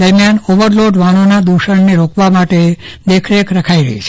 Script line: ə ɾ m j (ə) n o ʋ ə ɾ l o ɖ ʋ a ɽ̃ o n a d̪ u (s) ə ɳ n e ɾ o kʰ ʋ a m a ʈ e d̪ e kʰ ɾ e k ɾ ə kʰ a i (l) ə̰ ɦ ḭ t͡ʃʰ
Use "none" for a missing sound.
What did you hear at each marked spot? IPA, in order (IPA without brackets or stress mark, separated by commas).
a, ʃ, ɾ